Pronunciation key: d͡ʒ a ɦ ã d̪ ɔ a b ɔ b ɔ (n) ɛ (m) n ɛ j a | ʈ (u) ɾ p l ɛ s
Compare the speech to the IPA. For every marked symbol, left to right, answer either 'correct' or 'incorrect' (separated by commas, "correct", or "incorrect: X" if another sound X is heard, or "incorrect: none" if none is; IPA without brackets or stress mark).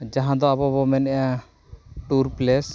incorrect: m, incorrect: none, correct